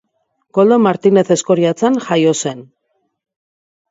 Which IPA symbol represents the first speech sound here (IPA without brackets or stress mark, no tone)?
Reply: k